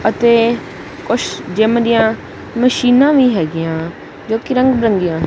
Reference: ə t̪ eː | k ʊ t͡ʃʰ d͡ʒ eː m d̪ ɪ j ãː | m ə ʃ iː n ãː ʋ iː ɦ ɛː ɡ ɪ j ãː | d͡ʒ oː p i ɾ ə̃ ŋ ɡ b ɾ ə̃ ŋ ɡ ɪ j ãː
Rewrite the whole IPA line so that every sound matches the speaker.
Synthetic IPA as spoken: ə t̪ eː | k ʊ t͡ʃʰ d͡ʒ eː m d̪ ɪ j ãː | m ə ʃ iː n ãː ʋ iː ɦ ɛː ɡ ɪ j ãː | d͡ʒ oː k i ɾ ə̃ ŋ ɡ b ɾ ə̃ ŋ ɡ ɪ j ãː

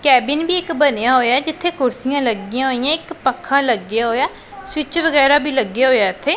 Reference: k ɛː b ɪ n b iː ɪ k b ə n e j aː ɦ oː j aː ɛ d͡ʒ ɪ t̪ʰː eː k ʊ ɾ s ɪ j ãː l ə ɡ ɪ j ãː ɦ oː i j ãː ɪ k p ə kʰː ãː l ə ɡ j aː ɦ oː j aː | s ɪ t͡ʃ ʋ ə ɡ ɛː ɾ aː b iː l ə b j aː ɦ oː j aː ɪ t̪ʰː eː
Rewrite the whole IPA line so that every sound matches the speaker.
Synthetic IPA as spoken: k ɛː b ɪ n b iː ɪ k b ə n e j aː ɦ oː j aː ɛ d͡ʒ ɪ t̪ʰː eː k ʊ ɾ s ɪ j ãː l ə ɡ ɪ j ãː ɦ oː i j ãː ɪ k p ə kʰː ãː l ə ɡ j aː ɦ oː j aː | s ɪ t͡ʃ ʋ ə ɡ ɛː ɾ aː b iː l ə ɡ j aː ɦ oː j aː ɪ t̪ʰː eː

